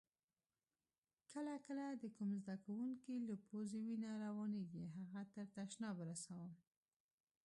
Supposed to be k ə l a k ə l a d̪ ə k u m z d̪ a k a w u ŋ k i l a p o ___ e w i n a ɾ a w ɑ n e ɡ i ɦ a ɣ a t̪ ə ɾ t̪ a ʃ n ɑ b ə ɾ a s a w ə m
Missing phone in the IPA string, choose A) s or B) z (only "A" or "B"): B